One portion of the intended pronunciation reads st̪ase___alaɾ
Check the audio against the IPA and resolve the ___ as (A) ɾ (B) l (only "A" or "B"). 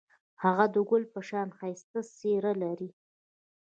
A